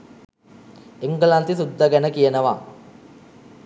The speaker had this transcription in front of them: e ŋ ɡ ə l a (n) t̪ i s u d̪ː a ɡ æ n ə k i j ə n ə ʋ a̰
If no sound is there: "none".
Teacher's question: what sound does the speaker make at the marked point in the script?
n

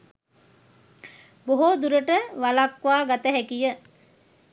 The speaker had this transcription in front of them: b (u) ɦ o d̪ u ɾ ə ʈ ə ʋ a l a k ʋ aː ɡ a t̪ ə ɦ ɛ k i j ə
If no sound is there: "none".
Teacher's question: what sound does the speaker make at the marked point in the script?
o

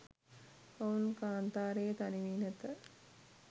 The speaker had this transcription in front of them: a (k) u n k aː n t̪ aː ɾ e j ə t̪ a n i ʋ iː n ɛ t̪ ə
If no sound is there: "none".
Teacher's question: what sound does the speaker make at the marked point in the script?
none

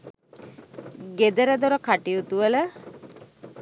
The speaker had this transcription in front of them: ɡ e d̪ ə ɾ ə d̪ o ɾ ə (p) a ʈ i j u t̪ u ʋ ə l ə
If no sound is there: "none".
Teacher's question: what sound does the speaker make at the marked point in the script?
k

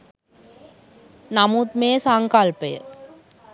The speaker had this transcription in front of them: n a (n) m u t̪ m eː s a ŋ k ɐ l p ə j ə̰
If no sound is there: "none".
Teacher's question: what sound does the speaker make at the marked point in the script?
none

